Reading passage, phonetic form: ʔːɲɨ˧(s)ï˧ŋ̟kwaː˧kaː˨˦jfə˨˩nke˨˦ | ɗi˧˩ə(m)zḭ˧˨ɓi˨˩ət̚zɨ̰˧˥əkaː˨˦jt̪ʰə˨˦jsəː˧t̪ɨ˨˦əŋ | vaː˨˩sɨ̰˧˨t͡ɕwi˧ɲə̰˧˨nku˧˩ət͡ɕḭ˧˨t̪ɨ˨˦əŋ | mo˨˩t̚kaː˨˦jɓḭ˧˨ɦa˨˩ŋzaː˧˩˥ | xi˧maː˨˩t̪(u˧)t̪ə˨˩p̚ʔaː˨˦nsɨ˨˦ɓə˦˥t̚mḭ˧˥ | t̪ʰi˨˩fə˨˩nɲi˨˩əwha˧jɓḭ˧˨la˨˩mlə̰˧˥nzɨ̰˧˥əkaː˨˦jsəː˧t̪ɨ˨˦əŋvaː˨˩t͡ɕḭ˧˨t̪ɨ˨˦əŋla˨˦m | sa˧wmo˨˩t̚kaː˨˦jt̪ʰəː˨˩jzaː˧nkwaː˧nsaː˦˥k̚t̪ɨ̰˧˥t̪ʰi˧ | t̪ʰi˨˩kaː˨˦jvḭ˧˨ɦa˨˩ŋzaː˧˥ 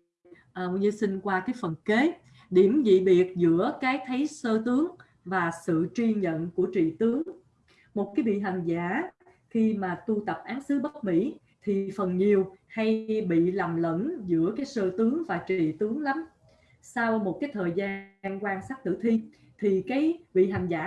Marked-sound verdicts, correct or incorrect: correct, correct, correct

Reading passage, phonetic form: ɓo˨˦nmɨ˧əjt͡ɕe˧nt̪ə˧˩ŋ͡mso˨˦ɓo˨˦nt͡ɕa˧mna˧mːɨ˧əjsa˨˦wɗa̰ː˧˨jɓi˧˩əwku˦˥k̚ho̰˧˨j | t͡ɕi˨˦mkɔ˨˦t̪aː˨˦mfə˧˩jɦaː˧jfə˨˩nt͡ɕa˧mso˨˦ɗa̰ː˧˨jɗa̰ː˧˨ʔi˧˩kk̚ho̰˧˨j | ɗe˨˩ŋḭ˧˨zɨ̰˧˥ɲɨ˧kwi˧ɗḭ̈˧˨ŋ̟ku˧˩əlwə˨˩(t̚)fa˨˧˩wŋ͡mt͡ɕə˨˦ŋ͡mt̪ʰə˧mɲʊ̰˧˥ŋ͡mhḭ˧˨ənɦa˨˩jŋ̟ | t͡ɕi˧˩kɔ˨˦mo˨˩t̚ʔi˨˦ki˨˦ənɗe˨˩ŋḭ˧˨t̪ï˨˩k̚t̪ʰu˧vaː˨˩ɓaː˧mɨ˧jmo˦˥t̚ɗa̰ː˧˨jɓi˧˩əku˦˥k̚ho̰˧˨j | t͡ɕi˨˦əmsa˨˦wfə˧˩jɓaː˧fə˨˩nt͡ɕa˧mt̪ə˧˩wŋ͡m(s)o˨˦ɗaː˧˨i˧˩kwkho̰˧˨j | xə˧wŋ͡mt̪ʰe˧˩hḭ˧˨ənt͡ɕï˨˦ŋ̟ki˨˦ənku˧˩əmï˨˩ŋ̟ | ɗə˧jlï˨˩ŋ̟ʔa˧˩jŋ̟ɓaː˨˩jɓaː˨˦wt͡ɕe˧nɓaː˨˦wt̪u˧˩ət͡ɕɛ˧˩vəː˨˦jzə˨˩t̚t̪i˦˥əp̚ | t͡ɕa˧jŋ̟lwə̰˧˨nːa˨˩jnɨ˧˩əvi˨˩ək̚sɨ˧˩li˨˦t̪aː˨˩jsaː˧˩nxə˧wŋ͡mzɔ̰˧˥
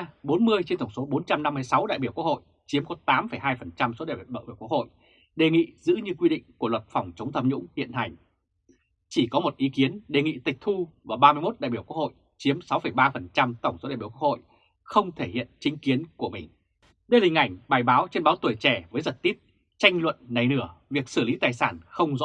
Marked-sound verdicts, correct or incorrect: correct, correct

